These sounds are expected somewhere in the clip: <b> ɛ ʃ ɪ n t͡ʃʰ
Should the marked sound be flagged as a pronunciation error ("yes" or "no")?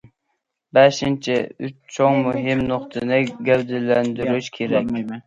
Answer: no